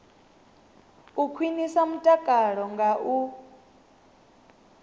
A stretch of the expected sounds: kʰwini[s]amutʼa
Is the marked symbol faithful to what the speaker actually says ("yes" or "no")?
yes